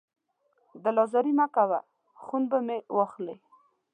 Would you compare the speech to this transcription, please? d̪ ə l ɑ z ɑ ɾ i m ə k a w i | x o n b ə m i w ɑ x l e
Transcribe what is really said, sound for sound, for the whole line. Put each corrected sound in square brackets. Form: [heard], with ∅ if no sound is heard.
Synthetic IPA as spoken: d̪ ə l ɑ z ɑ ɾ i m [a] k a w [a] | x [u] n b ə m [e] w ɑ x l e

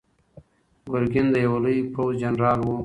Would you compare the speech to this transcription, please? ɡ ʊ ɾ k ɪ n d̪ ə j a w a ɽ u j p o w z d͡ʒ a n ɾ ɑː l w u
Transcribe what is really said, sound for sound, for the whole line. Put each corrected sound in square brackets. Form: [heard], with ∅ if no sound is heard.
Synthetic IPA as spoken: ɡ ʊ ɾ [ɡ] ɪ n d̪ ə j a w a [l] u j p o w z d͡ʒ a n ɾ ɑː l w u

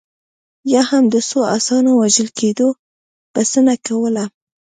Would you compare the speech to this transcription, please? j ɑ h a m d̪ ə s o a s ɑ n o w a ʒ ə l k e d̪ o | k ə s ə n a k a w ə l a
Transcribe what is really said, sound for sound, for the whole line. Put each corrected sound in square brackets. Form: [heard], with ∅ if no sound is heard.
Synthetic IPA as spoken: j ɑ h a m d̪ ə s o a s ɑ n o w a ʒ ə l k e d̪ o | [p] ə s ə n a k a w ə l a

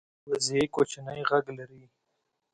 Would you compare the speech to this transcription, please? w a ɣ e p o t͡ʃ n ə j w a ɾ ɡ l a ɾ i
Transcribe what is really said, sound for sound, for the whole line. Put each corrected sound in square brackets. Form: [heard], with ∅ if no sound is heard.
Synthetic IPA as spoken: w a [z] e [k] o t͡ʃ n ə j [ɣ] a [∅] ɡ l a ɾ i

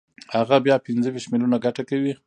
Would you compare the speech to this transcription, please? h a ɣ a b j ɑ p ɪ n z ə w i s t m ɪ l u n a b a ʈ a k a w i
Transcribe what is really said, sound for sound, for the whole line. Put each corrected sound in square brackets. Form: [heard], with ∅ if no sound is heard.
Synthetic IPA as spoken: h a ɣ a b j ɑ p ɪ n z ə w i [ʃ] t m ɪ l u n a [ɡ] a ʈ a k a w i

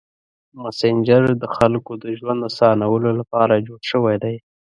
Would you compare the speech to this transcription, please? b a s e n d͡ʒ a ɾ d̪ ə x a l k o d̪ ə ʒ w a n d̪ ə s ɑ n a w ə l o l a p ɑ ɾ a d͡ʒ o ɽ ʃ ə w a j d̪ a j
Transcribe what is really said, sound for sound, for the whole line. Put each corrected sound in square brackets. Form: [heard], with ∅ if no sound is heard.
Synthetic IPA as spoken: [m] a s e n d͡ʒ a ɾ d̪ ə x a l k o d̪ ə ʒ w a n d̪ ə s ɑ n a w ə l o l a p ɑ ɾ a d͡ʒ o ɽ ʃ ə w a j d̪ a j

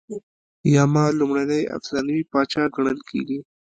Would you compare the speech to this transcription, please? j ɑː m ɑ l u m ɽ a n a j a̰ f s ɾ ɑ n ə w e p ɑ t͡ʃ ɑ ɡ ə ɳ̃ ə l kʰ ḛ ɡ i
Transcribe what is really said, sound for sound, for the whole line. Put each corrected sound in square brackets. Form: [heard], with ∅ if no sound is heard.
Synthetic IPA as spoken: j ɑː m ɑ l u m ɽ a n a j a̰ f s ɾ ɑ n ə w [i] p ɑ t͡ʃ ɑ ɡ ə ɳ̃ ə l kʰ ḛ ɡ i

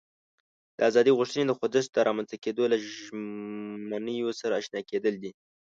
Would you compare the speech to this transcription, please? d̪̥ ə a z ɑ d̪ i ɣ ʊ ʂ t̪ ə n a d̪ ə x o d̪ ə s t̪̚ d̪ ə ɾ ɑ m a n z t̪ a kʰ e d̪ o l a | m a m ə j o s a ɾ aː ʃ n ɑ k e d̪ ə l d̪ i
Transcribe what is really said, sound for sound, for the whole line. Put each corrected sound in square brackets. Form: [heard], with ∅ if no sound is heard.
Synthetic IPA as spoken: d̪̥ ə a z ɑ d̪ i ɣ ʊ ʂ t̪ ə n [e] d̪ ə x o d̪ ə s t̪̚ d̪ ə ɾ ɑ m a n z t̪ a [k] e d̪ o l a | m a [n] ə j o s a ɾ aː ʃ n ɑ k e d̪ ə l d̪ i

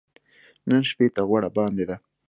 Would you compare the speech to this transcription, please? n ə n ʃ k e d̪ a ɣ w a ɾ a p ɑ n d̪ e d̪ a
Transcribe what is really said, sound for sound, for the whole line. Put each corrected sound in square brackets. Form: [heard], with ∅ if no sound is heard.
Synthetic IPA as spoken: n ə n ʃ [p] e [t̪] a ɣ w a [ɽ] a [b] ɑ n d̪ e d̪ a

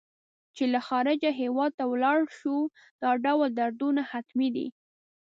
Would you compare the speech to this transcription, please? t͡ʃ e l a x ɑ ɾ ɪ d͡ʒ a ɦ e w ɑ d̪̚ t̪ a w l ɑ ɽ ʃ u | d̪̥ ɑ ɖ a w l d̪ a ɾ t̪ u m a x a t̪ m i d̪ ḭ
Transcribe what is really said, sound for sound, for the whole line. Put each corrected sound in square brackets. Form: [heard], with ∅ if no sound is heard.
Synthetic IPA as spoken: t͡ʃ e l a x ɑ ɾ ɪ d͡ʒ a ɦ e w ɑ d̪̚ t̪ a w l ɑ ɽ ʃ u | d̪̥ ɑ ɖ a w l d̪ a ɾ [d̪] u [n] a [h] a t̪ m i d̪ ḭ

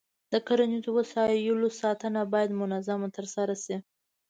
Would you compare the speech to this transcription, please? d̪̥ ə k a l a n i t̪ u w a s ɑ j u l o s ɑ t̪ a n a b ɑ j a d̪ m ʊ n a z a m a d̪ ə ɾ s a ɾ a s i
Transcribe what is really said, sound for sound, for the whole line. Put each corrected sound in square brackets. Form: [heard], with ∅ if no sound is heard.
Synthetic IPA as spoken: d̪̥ ə k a [ɾ] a n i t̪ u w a s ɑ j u l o s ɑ t̪ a n a b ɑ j a d̪ m ʊ n a z a m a [t̪] ə ɾ s a ɾ a s i

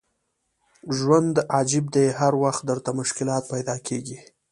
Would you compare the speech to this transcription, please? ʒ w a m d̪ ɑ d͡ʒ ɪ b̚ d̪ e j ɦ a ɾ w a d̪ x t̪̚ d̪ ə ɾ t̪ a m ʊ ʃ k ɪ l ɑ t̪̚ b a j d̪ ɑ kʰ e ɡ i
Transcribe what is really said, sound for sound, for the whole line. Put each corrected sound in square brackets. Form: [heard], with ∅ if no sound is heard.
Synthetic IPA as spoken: ʒ w a [n] d̪ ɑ d͡ʒ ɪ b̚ d̪ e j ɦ a ɾ w a [∅] x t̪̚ d̪ ə ɾ t̪ a m ʊ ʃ k ɪ l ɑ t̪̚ [p] a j d̪ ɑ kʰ e ɡ i

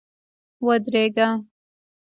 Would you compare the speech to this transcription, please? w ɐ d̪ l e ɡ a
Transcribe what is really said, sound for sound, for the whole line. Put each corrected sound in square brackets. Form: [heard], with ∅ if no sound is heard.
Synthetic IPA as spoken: w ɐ d̪ [ɾ] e ɡ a

